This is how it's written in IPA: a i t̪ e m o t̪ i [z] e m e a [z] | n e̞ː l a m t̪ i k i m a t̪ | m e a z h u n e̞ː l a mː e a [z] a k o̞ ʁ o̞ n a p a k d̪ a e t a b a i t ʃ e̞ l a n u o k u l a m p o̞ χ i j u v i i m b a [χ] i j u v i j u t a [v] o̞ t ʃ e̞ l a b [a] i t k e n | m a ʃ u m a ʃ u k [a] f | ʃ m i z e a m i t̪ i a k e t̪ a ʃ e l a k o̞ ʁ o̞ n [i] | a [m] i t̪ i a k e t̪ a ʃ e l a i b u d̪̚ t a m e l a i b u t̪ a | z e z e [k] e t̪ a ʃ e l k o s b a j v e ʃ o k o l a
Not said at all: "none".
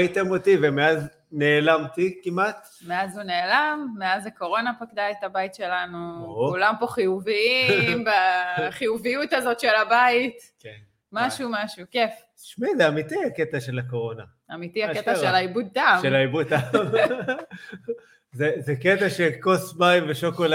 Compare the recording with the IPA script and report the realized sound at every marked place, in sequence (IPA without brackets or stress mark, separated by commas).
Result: v, z, z, χ, z, a, e, a, m, k